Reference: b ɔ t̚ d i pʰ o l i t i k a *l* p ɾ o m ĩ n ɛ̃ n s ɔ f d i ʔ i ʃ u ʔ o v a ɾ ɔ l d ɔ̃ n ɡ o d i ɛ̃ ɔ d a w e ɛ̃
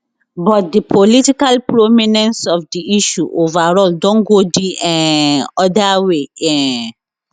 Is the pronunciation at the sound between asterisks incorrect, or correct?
correct